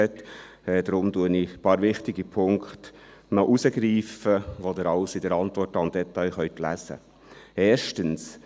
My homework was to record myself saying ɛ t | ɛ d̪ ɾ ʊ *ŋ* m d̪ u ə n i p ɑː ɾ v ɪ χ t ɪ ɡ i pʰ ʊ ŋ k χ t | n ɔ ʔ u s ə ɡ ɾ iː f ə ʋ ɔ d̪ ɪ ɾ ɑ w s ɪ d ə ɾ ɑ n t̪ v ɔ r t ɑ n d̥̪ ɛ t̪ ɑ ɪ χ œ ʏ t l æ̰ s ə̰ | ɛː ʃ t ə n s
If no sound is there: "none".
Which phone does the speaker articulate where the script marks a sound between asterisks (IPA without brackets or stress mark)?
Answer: none